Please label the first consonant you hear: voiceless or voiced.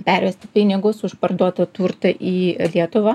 voiceless